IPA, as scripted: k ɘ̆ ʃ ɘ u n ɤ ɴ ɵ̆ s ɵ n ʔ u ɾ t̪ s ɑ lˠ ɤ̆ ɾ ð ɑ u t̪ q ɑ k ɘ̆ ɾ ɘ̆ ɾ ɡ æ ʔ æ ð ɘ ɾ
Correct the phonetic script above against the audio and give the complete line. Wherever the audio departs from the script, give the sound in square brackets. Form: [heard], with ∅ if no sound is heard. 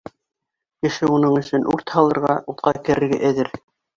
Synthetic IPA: k ɘ̆ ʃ ɘ u n ɤ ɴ ɵ̆ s ɵ n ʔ u ɾ t̪ [h] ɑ lˠ ɤ̆ ɾ [ʁ] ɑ u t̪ q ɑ k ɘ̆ ɾ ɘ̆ ɾ ɡ æ ʔ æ ð ɘ ɾ